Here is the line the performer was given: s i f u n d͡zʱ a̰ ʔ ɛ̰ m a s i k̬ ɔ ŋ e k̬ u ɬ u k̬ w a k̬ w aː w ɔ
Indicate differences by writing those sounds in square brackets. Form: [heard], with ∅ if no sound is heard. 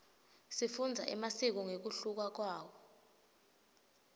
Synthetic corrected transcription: s i f u n d͡zʱ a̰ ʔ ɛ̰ m a s i k̬ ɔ ŋ e k̬ u ɬ u k̬ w a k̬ w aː w ɔ